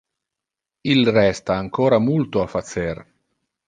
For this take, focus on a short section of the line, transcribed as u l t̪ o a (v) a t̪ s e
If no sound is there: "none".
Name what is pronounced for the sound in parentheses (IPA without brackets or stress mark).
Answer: f